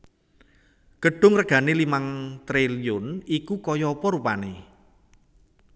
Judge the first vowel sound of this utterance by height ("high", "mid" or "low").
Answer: mid